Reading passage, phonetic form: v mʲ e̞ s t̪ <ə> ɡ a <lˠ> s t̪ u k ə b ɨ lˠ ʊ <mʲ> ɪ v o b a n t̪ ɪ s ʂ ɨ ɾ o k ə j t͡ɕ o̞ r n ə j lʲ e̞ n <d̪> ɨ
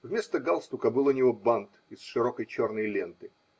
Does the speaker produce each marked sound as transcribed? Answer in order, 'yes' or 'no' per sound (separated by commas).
yes, yes, no, no